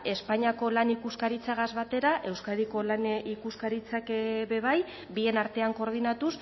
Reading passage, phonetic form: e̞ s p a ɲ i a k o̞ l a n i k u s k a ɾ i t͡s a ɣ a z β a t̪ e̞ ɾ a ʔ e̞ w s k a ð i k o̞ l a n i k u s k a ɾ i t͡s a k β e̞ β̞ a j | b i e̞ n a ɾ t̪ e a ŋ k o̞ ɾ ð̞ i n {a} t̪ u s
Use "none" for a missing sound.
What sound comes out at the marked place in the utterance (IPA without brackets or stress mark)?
a